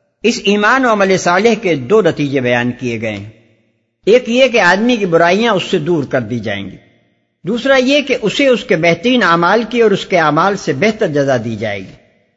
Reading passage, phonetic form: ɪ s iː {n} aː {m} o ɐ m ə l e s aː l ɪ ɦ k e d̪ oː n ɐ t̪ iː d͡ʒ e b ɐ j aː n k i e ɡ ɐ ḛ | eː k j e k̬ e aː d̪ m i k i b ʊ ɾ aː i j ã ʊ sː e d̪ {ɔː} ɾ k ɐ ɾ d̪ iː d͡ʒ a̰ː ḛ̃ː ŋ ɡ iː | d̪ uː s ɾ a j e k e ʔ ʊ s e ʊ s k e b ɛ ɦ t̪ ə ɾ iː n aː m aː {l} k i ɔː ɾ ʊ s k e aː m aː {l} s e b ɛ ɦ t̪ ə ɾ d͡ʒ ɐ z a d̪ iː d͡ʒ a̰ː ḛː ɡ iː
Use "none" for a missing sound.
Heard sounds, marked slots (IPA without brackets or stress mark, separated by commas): m, n, uː, l, l